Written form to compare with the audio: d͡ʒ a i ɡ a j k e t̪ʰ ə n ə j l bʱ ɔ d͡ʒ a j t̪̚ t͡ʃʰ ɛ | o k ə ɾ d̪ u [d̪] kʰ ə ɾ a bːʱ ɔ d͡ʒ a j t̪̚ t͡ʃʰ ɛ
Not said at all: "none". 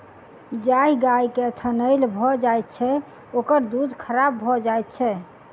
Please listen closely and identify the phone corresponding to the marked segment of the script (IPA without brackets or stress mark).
d̪